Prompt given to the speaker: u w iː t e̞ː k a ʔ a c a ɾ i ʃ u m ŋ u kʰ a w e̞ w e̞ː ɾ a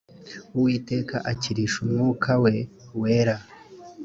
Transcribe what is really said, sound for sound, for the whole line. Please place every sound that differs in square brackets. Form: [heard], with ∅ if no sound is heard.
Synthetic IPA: u w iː t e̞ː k a ʔ a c [i] ɾ i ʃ u m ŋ u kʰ a w e̞ w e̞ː ɾ a